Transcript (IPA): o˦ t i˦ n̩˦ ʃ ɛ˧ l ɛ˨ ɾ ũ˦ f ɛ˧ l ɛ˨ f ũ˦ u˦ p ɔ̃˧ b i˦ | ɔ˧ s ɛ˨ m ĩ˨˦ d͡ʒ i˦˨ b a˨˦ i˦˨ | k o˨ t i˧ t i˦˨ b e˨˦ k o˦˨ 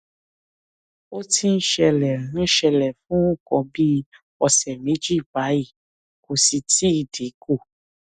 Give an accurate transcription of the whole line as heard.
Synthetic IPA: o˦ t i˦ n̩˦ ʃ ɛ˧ l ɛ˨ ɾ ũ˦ ʃ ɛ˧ l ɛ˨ f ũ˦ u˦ k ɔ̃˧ b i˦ | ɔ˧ s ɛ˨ m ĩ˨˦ d͡ʒ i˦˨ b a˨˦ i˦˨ | k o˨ s i˧ t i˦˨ d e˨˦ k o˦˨